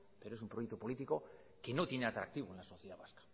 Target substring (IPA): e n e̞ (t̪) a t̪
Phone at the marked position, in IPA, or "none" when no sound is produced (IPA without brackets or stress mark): none